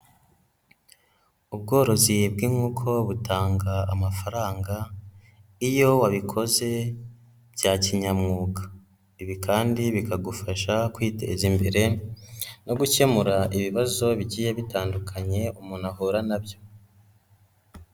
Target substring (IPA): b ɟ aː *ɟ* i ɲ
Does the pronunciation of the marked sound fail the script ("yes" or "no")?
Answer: yes